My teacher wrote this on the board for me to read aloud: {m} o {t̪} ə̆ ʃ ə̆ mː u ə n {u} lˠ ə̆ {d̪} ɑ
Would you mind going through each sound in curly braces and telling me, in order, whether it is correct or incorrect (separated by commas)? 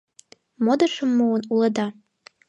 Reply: correct, incorrect, correct, correct